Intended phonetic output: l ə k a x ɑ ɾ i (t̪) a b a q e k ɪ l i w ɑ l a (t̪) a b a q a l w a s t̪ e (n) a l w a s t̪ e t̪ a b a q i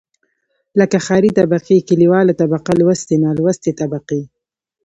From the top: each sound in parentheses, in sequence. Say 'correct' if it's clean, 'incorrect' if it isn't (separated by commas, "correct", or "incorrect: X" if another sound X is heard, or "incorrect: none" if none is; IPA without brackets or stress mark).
correct, correct, correct